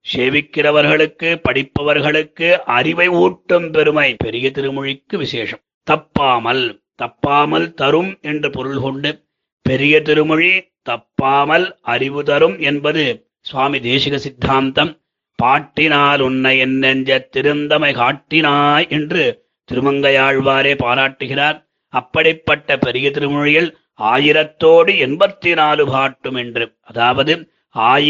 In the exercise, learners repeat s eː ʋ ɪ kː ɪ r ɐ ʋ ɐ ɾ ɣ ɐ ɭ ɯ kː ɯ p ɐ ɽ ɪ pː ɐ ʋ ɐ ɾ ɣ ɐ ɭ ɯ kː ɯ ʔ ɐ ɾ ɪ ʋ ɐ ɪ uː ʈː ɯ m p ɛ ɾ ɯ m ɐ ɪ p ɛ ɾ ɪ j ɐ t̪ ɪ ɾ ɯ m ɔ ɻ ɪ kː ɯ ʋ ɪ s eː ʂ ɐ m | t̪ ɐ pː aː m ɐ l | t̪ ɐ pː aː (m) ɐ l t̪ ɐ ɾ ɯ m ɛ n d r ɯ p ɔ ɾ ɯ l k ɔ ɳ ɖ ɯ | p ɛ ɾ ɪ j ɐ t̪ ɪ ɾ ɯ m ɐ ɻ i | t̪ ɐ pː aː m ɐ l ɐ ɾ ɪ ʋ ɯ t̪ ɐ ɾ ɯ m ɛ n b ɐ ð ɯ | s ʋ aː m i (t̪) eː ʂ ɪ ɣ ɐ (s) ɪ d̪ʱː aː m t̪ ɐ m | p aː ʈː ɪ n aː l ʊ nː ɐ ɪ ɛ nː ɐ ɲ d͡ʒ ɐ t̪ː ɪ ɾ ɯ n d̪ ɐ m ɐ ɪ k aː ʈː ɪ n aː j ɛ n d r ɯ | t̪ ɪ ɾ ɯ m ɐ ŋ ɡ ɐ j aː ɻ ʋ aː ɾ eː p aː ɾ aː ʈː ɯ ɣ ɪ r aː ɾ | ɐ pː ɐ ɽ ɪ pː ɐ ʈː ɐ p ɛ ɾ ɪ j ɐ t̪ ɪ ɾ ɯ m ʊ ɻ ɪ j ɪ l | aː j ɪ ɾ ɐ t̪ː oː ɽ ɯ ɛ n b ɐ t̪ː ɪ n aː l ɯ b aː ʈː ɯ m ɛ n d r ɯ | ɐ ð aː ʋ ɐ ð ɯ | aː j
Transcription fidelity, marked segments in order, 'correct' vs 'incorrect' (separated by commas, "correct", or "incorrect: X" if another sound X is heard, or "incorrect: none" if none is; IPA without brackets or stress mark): correct, incorrect: d̪, correct